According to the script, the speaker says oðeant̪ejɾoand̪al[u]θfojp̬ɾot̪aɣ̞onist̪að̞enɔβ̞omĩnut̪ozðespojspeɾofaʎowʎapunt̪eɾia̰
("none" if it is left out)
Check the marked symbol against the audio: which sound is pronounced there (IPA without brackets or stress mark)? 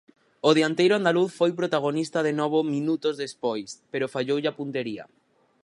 u